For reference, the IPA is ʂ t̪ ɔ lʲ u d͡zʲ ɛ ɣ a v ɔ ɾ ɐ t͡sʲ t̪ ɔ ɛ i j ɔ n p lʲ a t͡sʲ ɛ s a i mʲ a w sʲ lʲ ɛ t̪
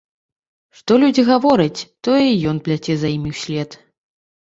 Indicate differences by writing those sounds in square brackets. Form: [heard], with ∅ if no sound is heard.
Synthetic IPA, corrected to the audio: ʂ t̪ ɔ lʲ u d͡zʲ [i] ɣ a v ɔ ɾ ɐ t͡sʲ t̪ ɔ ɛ i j ɔ n p lʲ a t͡sʲ ɛ [z] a i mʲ [i] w sʲ lʲ ɛ t̪